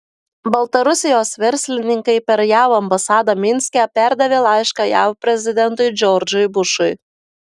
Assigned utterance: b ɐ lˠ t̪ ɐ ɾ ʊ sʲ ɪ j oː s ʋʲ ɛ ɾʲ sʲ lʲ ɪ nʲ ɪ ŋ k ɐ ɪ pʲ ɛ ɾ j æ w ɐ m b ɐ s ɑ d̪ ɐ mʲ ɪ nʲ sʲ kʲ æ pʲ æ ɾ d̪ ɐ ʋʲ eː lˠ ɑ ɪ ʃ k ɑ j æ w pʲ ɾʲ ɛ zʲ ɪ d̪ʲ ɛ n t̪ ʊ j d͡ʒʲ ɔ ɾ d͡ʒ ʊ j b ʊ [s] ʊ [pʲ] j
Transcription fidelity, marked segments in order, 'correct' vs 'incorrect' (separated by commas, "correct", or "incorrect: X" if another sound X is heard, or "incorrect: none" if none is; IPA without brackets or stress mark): incorrect: ʃ, incorrect: none